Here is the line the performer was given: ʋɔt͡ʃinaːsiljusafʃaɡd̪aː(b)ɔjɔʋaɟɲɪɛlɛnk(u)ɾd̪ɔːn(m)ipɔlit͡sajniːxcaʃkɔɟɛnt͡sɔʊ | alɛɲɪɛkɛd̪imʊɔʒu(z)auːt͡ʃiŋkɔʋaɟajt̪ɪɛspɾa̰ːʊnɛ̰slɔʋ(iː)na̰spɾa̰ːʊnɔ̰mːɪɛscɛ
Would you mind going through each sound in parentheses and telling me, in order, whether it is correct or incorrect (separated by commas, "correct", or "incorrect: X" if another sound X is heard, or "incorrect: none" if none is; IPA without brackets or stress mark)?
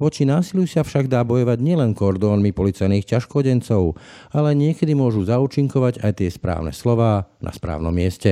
correct, incorrect: ɔ, correct, correct, incorrect: aː